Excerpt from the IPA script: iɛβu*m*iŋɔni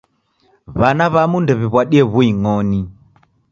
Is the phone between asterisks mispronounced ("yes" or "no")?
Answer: yes